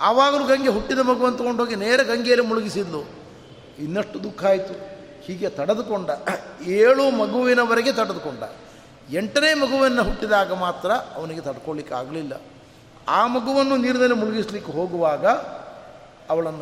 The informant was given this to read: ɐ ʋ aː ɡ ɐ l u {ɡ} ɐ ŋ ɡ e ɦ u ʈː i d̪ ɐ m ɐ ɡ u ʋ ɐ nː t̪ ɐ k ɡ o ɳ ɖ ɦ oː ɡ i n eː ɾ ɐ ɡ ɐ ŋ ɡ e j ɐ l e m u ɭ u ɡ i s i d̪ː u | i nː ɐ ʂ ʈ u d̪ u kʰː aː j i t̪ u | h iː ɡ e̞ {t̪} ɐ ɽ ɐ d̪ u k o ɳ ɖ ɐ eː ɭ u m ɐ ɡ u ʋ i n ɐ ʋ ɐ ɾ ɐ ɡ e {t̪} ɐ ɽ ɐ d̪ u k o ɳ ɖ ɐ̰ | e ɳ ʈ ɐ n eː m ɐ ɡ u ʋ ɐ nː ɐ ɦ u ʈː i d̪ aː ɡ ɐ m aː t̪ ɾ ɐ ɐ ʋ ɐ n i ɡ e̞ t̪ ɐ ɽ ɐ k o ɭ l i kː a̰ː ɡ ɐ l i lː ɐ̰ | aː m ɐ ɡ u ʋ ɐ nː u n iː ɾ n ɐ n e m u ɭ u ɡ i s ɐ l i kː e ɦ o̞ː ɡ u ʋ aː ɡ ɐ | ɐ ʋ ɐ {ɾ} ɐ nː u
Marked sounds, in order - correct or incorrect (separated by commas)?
correct, correct, correct, incorrect